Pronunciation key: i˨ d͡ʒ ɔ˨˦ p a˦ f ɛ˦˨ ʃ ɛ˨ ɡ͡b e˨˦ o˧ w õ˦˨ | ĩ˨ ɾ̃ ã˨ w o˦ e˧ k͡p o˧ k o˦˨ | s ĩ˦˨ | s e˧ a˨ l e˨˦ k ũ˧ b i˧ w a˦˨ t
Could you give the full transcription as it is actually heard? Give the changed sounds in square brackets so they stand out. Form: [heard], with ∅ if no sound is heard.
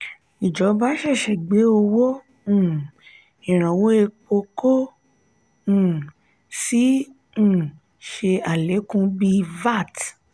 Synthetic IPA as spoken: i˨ d͡ʒ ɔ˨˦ [b] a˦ [ʃ] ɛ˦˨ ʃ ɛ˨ ɡ͡b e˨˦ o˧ w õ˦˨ | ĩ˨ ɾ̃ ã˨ w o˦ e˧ k͡p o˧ k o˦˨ | s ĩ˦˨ | [ʃ] e˧ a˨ l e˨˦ k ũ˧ b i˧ [v] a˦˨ t